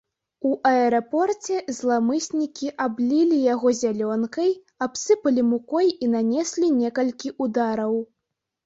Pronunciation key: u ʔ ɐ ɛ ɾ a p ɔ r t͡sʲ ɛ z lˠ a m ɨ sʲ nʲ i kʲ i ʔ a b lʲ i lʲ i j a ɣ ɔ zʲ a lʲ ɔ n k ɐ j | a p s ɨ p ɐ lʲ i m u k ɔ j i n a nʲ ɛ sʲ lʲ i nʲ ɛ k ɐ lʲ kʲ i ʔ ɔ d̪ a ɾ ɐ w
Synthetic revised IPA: u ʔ ɐ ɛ ɾ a p ɔ r t͡sʲ ɛ z lˠ a m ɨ sʲ nʲ i kʲ i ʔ a b lʲ i lʲ i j a ɣ ɔ zʲ a lʲ ɔ n k ɐ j | a p s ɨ p ɐ lʲ i m u k ɔ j i n a nʲ ɛ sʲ lʲ i nʲ ɛ k ɐ lʲ kʲ i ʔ u d̪ a ɾ ɐ w